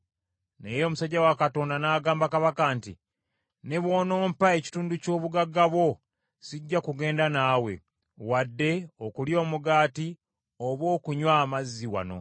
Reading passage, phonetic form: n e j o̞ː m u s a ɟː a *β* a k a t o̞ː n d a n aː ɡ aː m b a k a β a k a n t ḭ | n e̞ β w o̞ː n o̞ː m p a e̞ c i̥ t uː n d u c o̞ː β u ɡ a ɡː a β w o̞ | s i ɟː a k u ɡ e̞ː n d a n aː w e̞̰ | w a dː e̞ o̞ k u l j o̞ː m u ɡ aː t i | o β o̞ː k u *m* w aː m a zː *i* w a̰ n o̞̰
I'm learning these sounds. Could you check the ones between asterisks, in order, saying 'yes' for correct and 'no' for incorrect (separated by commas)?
no, no, yes